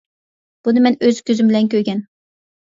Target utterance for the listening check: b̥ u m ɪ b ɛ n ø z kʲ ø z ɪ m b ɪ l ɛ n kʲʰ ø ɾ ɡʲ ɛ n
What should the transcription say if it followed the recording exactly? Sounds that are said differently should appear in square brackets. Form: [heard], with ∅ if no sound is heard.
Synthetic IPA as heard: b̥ u [n] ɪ [m] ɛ n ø z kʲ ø z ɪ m b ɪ l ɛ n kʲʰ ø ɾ ɡʲ ɛ n